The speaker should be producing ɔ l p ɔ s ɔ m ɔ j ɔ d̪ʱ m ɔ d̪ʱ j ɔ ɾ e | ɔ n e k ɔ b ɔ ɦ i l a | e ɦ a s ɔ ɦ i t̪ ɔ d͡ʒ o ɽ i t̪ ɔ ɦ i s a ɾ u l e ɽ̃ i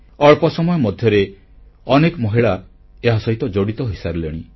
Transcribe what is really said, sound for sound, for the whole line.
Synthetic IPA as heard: ɔ ɭ p ɔ s ɔ m ɔ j ɔ m ɔ d̪ʱ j ɔ ɾ e | ɔ n e k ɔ m ɔ ɦ i ɭ a | e ɦ a s ɔ ɦ i t̪ ɔ d͡ʒ o ɽ i t̪ ɔ ɦ i s a ɾ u l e ɽ̃ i